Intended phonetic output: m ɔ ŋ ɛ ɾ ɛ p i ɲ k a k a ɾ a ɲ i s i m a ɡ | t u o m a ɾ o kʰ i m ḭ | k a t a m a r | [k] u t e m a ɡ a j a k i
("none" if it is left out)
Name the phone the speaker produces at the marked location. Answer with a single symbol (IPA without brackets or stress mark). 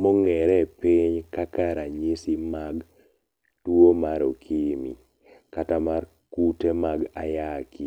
k